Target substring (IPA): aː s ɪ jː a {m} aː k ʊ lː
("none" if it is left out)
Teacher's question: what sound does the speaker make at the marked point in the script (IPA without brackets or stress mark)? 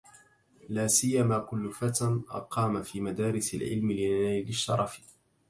m